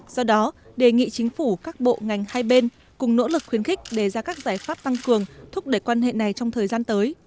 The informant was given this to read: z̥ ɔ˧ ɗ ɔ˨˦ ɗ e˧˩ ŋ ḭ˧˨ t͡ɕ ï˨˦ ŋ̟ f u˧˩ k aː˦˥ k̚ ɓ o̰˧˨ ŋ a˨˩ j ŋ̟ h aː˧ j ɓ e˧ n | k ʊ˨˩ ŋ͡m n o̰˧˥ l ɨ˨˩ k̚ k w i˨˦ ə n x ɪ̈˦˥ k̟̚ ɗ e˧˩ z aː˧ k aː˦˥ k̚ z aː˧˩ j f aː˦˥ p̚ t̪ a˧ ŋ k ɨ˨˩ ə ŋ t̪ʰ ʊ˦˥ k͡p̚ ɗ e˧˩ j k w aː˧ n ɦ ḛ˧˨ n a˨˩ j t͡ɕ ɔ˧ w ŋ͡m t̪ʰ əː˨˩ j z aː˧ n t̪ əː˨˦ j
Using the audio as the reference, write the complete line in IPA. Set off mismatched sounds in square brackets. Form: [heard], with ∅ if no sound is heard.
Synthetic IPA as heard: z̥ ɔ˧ ɗ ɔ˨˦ ɗ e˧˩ ŋ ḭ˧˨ t͡ɕ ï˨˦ ŋ̟ f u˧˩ k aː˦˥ k̚ ɓ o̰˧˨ ŋ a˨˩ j ŋ̟ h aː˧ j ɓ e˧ n | k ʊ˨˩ ŋ͡m n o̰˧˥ l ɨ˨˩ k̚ [x] w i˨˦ ə n x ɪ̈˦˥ k̟̚ ɗ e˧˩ z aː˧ k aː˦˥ k̚ z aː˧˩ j f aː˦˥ p̚ t̪ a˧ ŋ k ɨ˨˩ ə ŋ t̪ʰ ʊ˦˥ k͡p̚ ɗ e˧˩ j k w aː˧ n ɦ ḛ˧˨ n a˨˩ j t͡ɕ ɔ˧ w ŋ͡m t̪ʰ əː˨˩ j z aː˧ n t̪ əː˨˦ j